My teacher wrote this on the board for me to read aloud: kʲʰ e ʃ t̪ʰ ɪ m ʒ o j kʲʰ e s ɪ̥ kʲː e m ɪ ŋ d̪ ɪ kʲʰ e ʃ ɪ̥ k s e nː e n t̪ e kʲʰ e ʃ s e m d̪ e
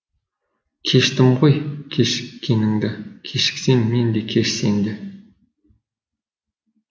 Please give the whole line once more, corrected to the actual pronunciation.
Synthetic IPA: kʲʰ e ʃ t̪ ɪ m ʁ o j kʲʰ e ʃ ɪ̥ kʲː e n ɪ ŋ d̪ ɪ kʲʰ e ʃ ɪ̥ k s e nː e n d̪ e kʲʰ e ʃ s e n d̪ e